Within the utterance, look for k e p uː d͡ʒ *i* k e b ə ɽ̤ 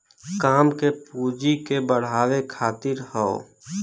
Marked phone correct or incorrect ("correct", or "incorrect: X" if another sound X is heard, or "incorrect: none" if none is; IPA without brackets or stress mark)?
correct